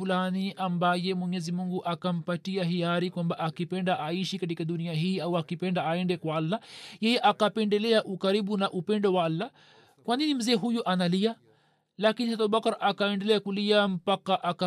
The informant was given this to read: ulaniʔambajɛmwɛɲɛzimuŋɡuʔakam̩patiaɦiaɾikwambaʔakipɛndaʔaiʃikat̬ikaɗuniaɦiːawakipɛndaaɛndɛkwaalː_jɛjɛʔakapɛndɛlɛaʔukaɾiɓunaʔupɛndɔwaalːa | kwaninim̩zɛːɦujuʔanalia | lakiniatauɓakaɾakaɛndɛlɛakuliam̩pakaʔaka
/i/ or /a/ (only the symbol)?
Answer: a